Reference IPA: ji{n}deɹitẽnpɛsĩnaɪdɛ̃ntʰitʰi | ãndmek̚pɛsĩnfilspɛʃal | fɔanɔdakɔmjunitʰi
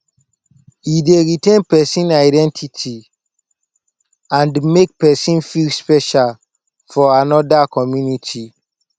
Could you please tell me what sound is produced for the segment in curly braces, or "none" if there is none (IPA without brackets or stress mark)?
none